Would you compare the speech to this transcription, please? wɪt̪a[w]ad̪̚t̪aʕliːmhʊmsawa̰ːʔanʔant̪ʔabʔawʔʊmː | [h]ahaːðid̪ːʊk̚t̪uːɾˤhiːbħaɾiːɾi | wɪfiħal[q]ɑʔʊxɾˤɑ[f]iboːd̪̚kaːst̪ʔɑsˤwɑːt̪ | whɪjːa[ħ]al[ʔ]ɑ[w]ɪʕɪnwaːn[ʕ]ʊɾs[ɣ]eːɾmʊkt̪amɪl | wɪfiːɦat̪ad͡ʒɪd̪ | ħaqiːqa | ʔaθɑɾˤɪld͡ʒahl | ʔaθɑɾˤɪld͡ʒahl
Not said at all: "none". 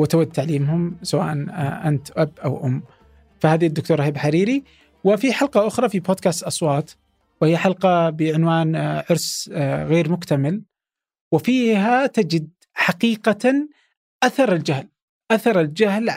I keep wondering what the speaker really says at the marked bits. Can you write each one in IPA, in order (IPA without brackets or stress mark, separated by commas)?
w, f, q, f, ħ, q, b, ʕ, ɣ